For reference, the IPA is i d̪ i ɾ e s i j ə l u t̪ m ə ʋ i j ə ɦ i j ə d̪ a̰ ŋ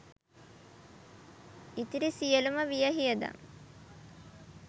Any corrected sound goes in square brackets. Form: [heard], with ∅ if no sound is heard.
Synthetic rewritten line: i [t̪] i ɾ [i] s i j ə l u [∅] m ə ʋ i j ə ɦ i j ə d̪ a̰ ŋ